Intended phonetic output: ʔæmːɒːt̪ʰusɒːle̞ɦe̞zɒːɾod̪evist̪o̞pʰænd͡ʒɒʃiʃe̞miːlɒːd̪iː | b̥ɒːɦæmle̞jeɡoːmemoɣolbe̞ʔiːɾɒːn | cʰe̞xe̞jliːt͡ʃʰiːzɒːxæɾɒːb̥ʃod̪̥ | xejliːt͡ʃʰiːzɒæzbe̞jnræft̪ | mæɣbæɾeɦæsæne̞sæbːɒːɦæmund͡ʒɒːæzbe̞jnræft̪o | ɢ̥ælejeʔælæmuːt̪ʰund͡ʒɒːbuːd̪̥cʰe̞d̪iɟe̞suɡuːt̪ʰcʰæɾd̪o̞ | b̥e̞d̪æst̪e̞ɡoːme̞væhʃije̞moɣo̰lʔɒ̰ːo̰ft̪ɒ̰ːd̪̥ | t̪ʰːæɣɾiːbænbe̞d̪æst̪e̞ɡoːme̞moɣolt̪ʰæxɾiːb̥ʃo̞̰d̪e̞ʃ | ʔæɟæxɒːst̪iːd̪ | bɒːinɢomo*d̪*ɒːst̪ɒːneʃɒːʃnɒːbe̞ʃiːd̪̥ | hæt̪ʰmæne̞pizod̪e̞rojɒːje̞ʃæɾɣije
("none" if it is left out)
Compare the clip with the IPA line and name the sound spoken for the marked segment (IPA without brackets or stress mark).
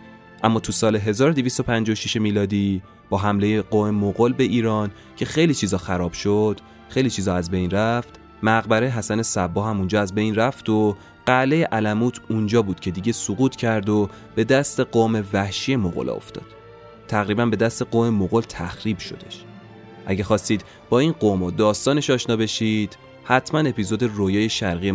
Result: d̪